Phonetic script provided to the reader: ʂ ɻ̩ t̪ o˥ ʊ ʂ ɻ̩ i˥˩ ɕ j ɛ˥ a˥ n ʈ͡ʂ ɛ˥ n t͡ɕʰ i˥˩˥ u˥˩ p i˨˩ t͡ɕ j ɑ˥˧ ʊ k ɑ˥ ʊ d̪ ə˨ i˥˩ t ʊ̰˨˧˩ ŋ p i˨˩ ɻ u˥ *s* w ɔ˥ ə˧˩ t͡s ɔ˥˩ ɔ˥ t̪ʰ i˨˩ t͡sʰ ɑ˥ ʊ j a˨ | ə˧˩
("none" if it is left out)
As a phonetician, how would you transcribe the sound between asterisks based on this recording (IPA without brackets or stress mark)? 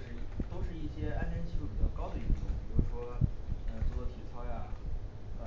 ʂ